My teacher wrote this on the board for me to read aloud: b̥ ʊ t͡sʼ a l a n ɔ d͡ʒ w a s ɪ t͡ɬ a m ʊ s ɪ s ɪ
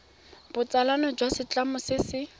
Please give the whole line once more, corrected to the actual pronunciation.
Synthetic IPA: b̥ ʊ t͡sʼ a l a n ɔ d͡ʒ w a s ɪ t͡ɬ a m ʊ s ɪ s ɪ